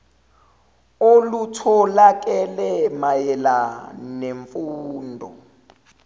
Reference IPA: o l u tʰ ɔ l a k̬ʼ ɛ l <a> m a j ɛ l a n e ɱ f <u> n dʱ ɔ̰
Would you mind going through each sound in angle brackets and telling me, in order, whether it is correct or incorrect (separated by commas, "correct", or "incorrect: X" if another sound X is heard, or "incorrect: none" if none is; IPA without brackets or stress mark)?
incorrect: ɛ, incorrect: uː